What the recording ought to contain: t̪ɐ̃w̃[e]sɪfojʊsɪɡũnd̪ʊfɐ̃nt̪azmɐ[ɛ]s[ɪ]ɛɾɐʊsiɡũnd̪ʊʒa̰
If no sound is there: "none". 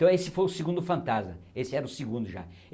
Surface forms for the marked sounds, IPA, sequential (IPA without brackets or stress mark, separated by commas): e, e, ɪ